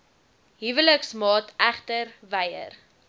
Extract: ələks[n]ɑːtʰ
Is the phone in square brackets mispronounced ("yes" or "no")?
yes